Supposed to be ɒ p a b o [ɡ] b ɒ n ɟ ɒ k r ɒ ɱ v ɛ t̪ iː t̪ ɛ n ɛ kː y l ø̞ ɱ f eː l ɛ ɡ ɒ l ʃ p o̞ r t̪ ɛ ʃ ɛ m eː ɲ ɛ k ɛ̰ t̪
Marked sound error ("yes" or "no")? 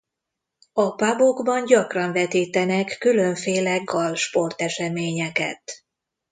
no